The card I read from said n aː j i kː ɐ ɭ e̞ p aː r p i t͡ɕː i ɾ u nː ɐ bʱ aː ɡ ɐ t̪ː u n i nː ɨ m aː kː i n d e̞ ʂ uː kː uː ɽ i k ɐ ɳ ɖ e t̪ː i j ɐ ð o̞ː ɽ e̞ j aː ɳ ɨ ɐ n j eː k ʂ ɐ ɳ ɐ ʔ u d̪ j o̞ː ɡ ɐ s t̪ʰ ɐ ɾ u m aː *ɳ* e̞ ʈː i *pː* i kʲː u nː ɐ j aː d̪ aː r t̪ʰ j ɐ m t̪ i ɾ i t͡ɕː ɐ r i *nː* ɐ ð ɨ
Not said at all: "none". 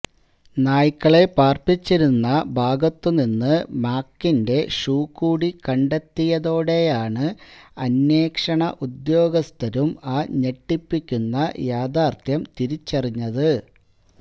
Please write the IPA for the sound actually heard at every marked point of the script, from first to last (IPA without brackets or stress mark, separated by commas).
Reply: ɲ, pː, ɲː